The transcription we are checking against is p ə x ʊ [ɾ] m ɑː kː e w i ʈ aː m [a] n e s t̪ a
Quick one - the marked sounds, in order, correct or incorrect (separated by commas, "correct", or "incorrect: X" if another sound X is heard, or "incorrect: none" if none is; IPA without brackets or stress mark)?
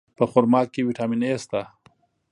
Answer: correct, incorrect: i